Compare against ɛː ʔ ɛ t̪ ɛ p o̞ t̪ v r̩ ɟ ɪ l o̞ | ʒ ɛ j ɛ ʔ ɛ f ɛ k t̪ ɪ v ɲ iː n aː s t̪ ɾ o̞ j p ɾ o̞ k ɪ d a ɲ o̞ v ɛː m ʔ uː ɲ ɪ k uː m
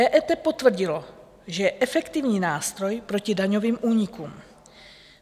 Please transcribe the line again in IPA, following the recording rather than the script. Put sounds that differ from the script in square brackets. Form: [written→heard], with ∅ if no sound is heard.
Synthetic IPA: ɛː ʔ ɛ t̪ ɛ p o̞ t̪ v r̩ ɟ ɪ l o̞ | ʒ ɛ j ɛ ʔ ɛ f ɛ k t̪ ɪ v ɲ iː n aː s t̪ ɾ o̞ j p ɾ o̞ [k→c] ɪ d a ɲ o̞ v [ɛː→iː] m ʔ uː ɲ ɪ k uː m